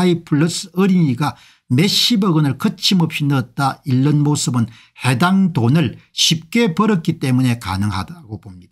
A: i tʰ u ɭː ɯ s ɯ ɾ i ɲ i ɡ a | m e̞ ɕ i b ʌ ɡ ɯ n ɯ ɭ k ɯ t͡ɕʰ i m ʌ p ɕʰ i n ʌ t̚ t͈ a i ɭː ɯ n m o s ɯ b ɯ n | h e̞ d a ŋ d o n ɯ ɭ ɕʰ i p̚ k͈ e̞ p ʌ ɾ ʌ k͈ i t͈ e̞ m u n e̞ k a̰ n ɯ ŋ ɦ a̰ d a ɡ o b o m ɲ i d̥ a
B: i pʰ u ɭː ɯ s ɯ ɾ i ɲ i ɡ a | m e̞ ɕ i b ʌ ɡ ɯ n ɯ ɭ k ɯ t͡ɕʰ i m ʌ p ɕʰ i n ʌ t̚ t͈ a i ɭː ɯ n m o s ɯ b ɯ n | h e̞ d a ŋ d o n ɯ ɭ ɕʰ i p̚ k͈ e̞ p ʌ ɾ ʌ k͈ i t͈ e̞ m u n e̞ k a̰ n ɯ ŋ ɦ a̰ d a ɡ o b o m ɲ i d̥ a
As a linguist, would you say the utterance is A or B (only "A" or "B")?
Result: B